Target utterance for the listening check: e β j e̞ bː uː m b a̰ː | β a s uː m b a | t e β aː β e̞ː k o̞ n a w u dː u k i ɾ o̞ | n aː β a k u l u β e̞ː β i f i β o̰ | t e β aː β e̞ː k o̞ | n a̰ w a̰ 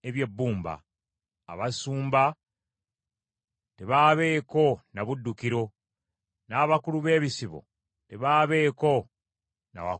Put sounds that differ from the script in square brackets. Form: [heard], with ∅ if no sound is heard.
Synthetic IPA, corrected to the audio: e β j e̞ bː uː m b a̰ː | β a s uː m b a | t e β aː β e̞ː k o̞ n a [β] u dː u k i ɾ o̞ | n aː β a k u l u β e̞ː β i [s] i β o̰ | t e β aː β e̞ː k o̞ | n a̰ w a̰